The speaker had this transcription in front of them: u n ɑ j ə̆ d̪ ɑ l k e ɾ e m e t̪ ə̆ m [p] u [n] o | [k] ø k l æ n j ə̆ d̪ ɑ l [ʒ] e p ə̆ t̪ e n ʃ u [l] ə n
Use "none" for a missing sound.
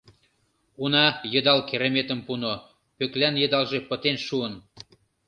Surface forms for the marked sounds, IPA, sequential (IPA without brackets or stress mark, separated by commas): p, n, p, ʒ, none